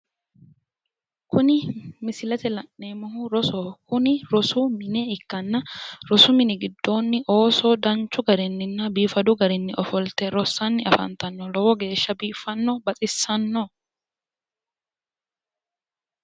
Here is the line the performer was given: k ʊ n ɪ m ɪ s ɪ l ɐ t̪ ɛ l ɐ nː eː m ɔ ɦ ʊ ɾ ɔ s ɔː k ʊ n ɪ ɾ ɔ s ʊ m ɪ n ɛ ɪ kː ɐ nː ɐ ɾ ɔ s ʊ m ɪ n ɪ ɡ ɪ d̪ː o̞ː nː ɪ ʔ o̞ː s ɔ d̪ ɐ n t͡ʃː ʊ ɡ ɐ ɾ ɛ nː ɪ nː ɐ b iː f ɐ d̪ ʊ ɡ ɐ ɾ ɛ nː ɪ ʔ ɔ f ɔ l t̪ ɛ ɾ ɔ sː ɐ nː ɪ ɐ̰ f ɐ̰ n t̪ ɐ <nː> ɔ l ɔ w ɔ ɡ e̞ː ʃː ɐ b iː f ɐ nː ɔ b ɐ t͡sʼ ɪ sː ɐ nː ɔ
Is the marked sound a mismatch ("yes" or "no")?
no